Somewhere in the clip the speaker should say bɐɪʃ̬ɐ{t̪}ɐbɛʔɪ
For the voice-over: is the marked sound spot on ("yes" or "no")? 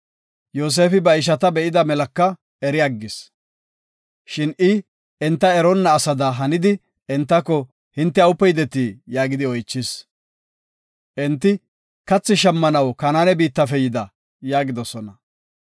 yes